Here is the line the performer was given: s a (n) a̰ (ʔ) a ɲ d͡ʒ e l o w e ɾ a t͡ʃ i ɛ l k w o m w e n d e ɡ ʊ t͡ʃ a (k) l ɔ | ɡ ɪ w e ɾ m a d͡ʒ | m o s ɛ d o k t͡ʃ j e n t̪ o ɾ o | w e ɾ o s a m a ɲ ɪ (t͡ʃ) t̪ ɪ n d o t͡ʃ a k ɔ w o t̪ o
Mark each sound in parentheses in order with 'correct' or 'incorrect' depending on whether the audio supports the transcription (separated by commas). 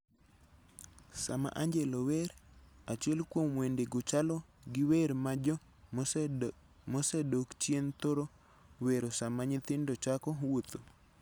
incorrect, correct, incorrect, incorrect